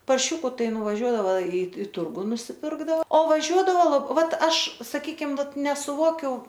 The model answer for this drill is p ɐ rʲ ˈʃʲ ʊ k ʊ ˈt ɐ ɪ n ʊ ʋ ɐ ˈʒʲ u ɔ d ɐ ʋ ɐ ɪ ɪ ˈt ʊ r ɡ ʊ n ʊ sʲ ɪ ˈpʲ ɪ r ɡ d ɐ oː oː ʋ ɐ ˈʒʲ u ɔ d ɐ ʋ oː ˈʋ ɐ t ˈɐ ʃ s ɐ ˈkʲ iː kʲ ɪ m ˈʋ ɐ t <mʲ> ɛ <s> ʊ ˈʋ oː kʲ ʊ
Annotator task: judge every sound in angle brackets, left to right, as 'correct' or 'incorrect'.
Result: incorrect: nʲ, correct

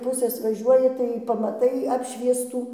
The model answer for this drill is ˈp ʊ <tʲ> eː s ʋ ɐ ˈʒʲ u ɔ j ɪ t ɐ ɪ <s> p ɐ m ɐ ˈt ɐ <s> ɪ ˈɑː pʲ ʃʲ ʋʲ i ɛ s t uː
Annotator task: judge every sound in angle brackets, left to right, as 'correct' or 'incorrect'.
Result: incorrect: sʲ, incorrect: none, incorrect: none

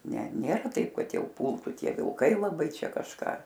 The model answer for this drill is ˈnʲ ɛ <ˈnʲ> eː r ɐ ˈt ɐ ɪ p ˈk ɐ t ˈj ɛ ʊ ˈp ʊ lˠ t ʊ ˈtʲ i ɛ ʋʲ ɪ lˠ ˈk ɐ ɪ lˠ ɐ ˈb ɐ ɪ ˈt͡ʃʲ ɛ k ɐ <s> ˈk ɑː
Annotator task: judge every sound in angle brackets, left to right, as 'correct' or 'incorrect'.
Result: correct, incorrect: ʃ

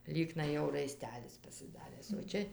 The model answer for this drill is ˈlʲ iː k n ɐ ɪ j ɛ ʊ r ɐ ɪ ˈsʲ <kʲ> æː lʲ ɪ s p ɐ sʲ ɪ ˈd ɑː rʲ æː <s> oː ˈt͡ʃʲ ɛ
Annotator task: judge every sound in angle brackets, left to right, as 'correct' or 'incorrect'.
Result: incorrect: tʲ, correct

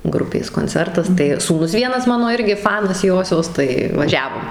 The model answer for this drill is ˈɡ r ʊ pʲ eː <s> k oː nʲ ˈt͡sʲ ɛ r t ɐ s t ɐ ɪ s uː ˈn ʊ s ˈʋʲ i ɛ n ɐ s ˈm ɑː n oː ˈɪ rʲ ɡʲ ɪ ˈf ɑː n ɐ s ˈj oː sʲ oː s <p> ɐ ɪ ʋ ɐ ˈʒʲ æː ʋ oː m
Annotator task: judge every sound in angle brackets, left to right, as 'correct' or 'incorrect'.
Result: correct, incorrect: t

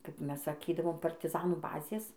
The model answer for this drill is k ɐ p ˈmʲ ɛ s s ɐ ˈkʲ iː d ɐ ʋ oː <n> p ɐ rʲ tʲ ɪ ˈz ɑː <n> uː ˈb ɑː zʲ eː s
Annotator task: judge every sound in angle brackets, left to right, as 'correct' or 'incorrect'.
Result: incorrect: m, correct

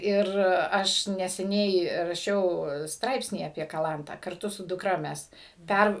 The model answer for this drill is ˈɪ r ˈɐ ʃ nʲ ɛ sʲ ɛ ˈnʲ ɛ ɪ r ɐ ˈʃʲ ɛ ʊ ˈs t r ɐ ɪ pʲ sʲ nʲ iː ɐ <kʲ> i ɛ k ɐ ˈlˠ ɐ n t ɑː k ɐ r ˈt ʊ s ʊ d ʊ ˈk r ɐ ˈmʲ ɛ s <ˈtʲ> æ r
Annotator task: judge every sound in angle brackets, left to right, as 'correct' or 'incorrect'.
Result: incorrect: pʲ, incorrect: pʲ

